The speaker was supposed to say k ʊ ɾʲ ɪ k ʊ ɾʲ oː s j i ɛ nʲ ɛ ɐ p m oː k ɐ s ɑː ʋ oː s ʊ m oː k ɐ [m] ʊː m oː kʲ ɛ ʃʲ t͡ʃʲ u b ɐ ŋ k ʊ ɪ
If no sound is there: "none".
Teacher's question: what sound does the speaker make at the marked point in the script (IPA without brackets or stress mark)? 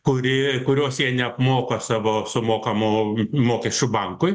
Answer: m